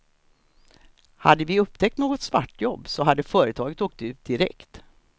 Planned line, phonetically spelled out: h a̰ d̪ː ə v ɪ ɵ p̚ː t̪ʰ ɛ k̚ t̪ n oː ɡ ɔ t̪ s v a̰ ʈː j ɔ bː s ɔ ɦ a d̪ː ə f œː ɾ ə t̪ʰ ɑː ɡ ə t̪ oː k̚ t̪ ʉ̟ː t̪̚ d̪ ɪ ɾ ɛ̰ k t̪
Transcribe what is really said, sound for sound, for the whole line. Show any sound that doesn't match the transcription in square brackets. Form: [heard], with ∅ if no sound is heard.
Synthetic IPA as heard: h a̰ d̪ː ə v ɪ ɵ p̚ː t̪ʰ ɛ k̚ t̪ n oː ɡ ɔ t̪ s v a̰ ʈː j ɔ bː s ɔ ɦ a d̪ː ə f œː ɾ ə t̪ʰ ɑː ɡ ə t̪ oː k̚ t̪ ʉ̟ː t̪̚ d̪ ɪ ɾ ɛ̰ k t̪